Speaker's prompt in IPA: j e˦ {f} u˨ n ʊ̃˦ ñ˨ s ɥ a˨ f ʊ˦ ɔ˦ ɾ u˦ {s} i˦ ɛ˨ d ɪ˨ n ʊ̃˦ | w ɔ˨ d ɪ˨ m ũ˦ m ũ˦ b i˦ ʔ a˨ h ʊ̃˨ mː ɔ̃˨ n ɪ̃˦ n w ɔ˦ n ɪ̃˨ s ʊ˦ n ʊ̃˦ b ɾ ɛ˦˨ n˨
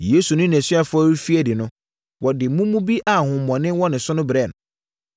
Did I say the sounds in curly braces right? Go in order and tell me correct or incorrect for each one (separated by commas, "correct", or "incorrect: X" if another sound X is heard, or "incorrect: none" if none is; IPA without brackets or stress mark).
incorrect: s, incorrect: f